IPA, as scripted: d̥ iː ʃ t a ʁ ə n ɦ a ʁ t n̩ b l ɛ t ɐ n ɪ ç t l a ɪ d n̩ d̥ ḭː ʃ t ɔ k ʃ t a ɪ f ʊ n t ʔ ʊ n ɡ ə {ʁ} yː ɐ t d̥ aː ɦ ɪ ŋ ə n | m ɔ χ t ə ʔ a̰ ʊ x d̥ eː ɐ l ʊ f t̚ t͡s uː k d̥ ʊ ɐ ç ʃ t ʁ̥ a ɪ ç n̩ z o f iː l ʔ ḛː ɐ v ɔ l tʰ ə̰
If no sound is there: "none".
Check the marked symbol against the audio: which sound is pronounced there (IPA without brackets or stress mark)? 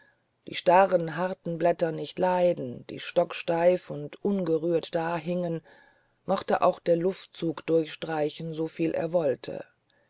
ʁ